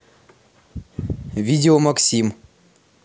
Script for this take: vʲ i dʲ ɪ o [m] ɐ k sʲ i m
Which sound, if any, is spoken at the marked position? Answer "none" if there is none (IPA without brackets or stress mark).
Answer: m